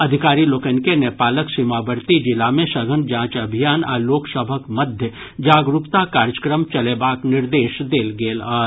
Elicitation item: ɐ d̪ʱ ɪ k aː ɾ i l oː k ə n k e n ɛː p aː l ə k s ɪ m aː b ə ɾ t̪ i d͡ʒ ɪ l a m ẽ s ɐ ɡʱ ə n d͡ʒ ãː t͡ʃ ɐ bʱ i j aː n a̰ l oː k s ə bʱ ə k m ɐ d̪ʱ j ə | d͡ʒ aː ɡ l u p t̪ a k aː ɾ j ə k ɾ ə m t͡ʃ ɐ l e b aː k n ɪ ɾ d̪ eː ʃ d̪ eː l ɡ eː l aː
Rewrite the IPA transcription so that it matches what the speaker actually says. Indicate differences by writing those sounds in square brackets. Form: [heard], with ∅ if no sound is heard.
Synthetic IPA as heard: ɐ d̪ʱ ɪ k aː ɾ i l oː k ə n k e n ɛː p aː l ə k s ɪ m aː b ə ɾ t̪ i d͡ʒ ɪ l a m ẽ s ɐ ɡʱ ə n d͡ʒ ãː t͡ʃ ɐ bʱ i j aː n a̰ l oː k s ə bʱ ə k m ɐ d̪ʱ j ə | d͡ʒ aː ɡ [ɾ] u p t̪ a k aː ɾ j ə k ɾ ə m t͡ʃ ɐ l e b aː k n ɪ ɾ d̪ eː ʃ d̪ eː l ɡ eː l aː

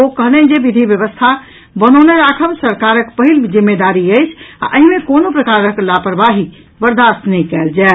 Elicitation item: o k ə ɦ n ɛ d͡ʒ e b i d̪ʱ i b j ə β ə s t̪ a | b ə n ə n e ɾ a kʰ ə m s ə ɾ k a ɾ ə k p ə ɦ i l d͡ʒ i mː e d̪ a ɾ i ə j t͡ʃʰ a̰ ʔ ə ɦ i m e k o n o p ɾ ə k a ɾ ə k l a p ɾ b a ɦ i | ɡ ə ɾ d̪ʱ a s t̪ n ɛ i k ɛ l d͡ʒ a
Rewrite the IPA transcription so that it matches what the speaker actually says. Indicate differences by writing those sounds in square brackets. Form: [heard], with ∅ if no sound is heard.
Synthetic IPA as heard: o k ə ɦ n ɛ d͡ʒ e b i d̪ʱ i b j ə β ə s [t̪ʰ] a | b ə n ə n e ɾ a kʰ ə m s ə ɾ k a ɾ ə k p ə ɦ i l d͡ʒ i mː e d̪ a ɾ i ə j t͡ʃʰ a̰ ʔ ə ɦ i m e k o n o p ɾ ə k a ɾ ə k l a p ɾ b a ɦ i | [b] ə ɾ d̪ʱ a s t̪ n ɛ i k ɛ l d͡ʒ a

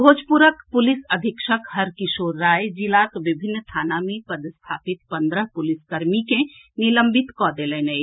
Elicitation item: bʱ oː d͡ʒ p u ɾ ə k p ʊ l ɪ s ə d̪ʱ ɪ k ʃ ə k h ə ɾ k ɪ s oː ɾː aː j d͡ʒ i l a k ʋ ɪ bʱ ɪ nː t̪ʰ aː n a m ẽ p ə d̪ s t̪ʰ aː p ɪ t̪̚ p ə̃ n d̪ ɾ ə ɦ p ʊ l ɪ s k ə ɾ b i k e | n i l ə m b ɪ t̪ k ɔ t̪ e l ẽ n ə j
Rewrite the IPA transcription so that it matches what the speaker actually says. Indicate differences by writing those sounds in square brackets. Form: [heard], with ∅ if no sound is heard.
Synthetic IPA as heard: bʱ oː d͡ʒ p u ɾ ə k p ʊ l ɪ s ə d̪ʱ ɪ k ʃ ə k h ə ɾ k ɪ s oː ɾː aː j d͡ʒ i l a k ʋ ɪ bʱ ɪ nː t̪ʰ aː n a m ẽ p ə d̪ s t̪ʰ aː p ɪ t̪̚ p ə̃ n d̪ ɾ ə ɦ p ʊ l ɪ s k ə ɾ [m] i k e | n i l ə m b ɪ t̪ k ɔ [d̪] e l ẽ n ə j

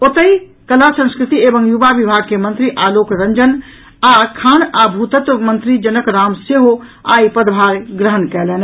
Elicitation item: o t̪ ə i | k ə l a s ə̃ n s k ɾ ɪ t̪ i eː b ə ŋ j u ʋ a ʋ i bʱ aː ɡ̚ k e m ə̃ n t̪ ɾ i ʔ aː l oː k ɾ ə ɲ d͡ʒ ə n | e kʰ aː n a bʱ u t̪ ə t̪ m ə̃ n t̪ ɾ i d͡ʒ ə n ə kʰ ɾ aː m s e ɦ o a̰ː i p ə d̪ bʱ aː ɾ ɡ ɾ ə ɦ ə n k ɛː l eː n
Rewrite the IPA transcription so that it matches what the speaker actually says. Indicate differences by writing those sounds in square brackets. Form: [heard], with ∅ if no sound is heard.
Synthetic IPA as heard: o t̪ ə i | k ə l a s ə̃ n s k ɾ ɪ t̪ i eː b ə ŋ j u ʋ a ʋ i bʱ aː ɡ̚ k e m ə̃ n t̪ ɾ i ʔ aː l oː k ɾ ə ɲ d͡ʒ ə n | [a] kʰ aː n a bʱ u t̪ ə t̪ m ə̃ n t̪ ɾ i d͡ʒ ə n ə [k] ɾ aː m s e ɦ o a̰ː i p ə d̪ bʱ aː ɾ ɡ ɾ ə ɦ ə n k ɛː l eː n

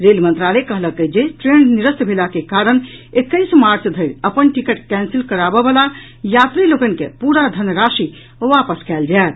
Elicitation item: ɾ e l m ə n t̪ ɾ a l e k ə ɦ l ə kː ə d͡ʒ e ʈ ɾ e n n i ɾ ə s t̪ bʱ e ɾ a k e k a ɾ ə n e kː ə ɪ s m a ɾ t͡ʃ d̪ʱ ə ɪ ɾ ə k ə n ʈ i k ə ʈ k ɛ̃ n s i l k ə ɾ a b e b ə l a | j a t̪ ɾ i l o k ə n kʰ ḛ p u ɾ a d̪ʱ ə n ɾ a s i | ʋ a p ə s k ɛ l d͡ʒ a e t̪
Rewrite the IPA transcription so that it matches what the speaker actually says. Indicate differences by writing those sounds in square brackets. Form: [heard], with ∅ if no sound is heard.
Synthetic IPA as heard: ɾ e l m ə n t̪ ɾ a l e k ə ɦ l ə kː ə d͡ʒ e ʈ ɾ e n n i ɾ ə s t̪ bʱ e [l] a k e k a ɾ ə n e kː ə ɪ s m a ɾ t͡ʃ d̪ʱ ə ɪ ɾ ə [p] ə n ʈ i k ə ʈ k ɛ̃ n s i l k ə ɾ a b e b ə l a | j a t̪ ɾ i l o k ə n [k] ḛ p u ɾ a d̪ʱ ə n ɾ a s i | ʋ a p ə s k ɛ l d͡ʒ a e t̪

